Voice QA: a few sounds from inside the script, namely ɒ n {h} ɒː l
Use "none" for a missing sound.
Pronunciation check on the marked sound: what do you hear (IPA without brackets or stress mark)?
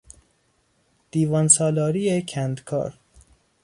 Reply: s